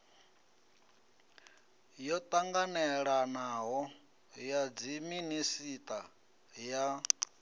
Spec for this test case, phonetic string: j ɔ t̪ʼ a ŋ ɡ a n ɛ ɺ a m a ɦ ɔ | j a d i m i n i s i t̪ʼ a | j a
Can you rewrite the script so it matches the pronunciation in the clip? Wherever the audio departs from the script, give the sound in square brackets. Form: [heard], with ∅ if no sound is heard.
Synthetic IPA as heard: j ɔ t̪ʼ a ŋ ɡ a n ɛ ɺ a [n] a ɦ ɔ | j a [d͡z] i m i n i s i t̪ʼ a | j a